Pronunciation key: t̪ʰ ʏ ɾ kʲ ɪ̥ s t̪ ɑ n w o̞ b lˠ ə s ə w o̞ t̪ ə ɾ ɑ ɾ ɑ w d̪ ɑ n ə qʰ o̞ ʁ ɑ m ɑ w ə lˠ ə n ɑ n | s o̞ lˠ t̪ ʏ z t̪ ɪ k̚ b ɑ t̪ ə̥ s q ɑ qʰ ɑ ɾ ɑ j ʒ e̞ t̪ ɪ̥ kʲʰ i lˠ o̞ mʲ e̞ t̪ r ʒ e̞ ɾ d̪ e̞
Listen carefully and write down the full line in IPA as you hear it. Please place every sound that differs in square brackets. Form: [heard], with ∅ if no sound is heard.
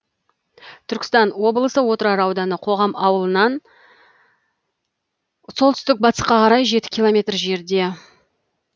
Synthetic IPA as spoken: t̪ʰ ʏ ɾ kʲ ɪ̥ s t̪ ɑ n w o̞ b lˠ ə s ə w o̞ t̪ ə ɾ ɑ ɾ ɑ w d̪ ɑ n ə qʰ o̞ ʁ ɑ m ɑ w ə lˠ ə n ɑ n | s o̞ lˠ t̪ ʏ [s] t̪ ɪ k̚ b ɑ t̪ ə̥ s q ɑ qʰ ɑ ɾ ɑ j ʒ e̞ t̪ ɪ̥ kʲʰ i lˠ o̞ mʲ e̞ t̪ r ʒ e̞ ɾ d̪ e̞